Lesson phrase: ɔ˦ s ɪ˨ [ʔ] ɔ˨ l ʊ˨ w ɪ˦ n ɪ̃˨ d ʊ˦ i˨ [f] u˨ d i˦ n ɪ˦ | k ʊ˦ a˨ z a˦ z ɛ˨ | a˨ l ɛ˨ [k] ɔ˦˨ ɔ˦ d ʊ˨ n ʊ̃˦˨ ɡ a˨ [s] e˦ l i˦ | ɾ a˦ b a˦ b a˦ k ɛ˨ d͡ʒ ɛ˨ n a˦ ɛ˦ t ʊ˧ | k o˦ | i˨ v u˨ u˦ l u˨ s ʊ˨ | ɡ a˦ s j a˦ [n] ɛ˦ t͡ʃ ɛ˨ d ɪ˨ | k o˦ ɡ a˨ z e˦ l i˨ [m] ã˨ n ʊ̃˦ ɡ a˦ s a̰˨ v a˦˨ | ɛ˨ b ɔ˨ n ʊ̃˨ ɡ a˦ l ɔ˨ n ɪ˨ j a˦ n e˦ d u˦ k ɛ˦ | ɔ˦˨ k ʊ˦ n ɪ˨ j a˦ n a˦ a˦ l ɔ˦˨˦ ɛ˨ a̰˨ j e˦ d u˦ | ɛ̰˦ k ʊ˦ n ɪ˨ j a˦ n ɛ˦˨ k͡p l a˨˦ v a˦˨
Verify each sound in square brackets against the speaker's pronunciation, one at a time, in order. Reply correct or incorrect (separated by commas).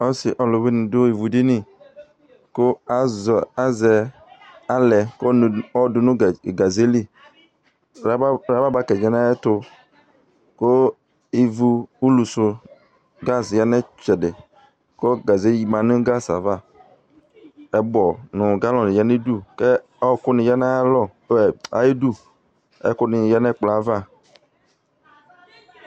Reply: correct, incorrect, correct, incorrect, correct, correct